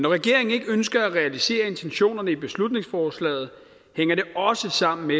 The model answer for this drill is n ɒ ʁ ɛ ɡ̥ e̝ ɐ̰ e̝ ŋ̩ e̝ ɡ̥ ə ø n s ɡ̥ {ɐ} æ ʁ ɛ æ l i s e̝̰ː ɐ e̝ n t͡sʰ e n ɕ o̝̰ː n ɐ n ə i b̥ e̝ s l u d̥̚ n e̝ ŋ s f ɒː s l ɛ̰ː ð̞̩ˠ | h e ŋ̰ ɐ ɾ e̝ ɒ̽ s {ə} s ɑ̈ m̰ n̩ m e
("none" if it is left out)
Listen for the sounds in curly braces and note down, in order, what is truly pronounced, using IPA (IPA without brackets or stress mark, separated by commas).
ɐ, ə